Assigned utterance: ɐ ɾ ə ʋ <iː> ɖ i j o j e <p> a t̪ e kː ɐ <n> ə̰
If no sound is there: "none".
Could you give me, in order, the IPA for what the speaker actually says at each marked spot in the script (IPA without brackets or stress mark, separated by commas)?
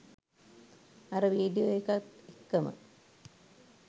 iː, k, m